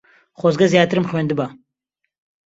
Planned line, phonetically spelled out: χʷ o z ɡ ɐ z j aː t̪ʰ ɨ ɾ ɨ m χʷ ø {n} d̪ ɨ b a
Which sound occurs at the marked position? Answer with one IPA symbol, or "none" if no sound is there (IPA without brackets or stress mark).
n